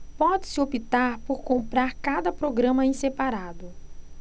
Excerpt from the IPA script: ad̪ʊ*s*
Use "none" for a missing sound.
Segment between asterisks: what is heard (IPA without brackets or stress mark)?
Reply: none